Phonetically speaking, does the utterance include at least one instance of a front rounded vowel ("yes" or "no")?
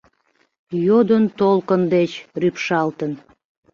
yes